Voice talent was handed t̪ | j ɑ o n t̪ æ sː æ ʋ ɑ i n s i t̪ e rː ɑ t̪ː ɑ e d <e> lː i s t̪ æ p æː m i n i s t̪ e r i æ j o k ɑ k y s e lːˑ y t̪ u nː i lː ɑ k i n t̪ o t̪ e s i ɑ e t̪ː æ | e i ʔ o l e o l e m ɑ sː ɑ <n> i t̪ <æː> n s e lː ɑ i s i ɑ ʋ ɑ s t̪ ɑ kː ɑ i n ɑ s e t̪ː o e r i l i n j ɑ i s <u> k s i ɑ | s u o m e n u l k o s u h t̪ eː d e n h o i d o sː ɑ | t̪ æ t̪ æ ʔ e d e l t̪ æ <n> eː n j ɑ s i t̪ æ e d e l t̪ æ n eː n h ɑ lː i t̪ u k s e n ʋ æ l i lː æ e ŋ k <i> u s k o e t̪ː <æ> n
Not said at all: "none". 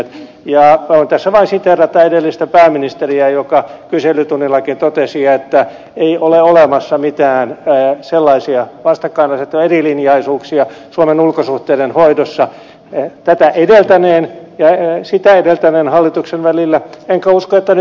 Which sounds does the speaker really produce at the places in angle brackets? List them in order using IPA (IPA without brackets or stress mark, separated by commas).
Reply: e, m, æː, uː, n, æ, æ